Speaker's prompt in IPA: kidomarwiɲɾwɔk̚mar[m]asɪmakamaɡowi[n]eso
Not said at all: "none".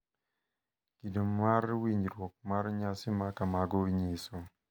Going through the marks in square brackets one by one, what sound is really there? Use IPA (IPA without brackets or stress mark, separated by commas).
ɲ, ɲ